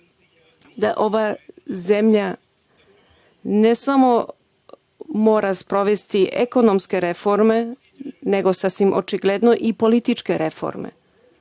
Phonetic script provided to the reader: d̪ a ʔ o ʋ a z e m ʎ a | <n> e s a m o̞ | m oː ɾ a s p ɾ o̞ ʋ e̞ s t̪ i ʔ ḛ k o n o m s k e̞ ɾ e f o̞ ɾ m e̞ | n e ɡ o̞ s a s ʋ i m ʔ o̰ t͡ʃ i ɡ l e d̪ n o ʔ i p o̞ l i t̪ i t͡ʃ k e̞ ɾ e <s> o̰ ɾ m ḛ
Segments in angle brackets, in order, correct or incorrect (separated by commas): correct, incorrect